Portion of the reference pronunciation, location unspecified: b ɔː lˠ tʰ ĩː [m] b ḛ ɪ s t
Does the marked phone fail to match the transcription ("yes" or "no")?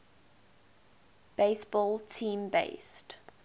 no